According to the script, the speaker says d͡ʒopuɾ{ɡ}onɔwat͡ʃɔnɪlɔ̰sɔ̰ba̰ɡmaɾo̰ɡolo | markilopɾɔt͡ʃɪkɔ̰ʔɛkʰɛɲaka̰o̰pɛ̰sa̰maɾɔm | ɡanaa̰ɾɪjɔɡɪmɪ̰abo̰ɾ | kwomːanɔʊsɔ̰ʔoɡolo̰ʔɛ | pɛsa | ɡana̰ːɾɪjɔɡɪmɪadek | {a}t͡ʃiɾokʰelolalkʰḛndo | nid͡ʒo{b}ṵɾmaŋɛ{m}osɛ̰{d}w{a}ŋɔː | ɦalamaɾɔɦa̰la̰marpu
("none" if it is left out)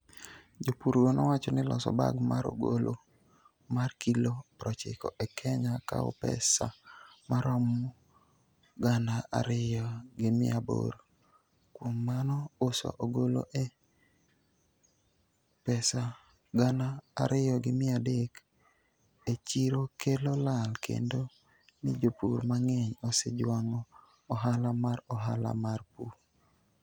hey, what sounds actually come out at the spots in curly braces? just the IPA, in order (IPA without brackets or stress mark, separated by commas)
ɡ, e, p, ɲ, d͡ʒ, a